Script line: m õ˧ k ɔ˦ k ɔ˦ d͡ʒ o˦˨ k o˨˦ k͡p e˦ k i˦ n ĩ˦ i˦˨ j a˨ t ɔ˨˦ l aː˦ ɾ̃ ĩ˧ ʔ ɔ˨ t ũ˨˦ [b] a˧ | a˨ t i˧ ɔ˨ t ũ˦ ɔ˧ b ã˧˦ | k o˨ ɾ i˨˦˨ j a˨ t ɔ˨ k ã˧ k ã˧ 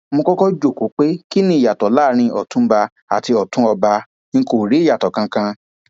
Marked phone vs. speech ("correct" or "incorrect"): correct